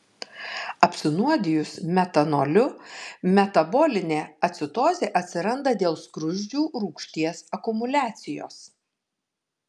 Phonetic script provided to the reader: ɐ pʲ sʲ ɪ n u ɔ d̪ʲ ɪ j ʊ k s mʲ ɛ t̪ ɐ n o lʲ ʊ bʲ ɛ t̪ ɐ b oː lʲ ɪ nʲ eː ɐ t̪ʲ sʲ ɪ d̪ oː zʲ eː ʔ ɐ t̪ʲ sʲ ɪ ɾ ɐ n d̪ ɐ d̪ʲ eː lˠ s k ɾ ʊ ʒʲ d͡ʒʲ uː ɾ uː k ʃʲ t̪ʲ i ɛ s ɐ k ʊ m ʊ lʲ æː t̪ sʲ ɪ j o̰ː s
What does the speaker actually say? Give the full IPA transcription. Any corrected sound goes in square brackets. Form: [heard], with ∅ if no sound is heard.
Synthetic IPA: ɐ pʲ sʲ ɪ n u ɔ d̪ʲ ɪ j ʊ [∅] s mʲ ɛ t̪ ɐ n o lʲ ʊ [mʲ] ɛ t̪ ɐ b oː lʲ ɪ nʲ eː ɐ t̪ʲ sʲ ɪ [t̪] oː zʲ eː ʔ ɐ t̪ʲ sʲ ɪ ɾ ɐ n d̪ ɐ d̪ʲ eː lˠ s k ɾ ʊ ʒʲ d͡ʒʲ uː ɾ uː k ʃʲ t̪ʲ i ɛ s ɐ k ʊ m ʊ lʲ æː t̪ sʲ ɪ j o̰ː s